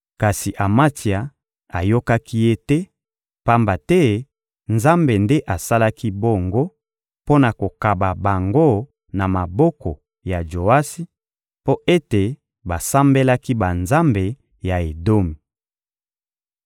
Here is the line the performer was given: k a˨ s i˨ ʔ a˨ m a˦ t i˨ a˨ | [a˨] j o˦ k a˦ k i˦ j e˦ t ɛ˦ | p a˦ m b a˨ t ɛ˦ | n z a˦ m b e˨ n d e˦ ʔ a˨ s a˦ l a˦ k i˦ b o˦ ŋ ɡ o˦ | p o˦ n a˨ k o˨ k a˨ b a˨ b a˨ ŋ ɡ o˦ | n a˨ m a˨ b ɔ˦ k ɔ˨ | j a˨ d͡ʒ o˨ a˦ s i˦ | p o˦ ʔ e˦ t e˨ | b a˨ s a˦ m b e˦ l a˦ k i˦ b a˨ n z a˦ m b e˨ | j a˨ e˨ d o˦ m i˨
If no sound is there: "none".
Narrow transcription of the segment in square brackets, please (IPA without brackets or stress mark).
a˨